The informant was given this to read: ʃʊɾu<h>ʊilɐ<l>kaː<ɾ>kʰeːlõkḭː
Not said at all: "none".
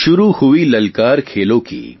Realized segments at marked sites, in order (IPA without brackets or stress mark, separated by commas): h, l, ɾ